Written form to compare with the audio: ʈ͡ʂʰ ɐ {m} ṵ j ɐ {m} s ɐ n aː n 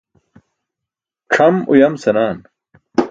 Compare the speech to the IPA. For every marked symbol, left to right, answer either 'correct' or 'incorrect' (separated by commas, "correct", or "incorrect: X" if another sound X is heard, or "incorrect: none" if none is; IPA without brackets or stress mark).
correct, correct